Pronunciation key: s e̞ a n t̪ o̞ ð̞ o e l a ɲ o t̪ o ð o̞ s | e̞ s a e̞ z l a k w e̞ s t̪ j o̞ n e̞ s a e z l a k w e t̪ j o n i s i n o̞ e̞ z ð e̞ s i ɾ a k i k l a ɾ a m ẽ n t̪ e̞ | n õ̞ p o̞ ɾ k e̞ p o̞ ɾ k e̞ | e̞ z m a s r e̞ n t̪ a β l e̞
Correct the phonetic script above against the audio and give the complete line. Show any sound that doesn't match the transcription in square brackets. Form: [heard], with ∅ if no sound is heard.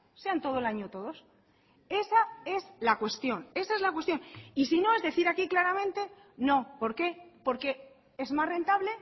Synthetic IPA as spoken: s e̞ a n t̪ o̞ ð̞ o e l a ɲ o t̪ o ð o̞ s | e̞ s a e̞ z l a k w e̞ s t̪ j o̞ n e̞ s a e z l a k w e t̪ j o n i s i n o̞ e̞ z ð e̞ [θ] i ɾ a k i k l a ɾ a m ẽ n t̪ e̞ | n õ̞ p o̞ ɾ k e̞ p o̞ ɾ k e̞ | e̞ z m a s r e̞ n t̪ a β l e̞